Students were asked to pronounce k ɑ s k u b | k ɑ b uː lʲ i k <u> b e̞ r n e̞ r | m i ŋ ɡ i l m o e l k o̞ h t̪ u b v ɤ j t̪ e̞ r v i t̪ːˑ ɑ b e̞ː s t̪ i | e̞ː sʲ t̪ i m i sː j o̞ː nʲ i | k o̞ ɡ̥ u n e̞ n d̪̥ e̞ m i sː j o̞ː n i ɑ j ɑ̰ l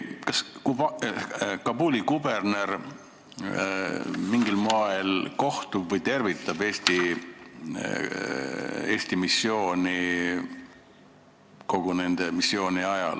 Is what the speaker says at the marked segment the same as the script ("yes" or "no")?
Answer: yes